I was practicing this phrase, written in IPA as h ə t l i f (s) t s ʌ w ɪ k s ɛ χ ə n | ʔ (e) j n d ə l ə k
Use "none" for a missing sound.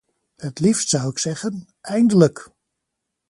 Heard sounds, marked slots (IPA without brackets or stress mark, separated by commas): s, ɛ